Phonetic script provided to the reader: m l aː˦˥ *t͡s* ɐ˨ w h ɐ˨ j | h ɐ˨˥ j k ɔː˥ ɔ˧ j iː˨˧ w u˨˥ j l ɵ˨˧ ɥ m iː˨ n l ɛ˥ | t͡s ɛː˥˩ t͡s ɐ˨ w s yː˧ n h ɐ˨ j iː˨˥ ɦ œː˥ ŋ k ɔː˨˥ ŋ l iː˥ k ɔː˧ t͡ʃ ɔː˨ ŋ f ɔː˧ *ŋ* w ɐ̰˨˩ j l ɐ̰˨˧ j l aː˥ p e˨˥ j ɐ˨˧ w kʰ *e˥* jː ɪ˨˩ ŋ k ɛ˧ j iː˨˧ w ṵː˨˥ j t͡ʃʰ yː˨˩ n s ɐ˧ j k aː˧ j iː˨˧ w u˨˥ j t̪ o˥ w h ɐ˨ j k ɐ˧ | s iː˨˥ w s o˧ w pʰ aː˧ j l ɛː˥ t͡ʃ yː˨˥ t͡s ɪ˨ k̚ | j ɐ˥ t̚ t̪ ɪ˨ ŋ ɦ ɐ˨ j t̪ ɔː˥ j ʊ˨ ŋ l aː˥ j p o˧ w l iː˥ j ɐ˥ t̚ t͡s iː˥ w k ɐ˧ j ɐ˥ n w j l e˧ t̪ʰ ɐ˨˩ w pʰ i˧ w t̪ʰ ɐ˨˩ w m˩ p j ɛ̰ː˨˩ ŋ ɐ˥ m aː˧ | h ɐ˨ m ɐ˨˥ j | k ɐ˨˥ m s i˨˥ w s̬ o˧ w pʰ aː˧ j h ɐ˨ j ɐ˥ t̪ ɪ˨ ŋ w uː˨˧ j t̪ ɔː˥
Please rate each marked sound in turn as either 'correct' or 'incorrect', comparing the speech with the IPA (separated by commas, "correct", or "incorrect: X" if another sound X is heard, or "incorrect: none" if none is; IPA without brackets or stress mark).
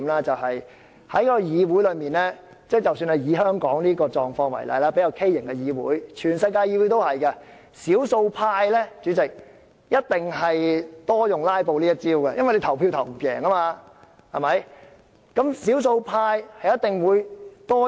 correct, correct, correct